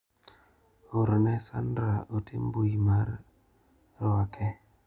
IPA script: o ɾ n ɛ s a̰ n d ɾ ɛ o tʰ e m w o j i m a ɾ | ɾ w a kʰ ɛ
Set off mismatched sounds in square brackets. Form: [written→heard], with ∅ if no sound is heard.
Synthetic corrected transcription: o ɾ n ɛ s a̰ n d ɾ [ɛ→a] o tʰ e m [w→b] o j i m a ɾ | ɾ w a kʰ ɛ